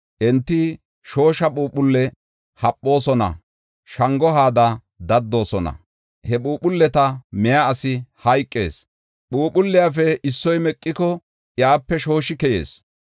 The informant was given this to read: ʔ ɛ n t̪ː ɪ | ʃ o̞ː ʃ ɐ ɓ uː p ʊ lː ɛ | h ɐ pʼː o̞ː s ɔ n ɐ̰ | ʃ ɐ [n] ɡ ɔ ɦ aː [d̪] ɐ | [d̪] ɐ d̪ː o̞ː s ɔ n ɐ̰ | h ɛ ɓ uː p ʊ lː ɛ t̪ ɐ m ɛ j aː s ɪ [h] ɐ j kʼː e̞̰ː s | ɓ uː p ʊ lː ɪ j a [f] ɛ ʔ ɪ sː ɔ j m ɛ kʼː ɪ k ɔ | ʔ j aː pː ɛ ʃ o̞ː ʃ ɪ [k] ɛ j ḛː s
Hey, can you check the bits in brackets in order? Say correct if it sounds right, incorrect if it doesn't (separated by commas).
incorrect, correct, correct, correct, correct, correct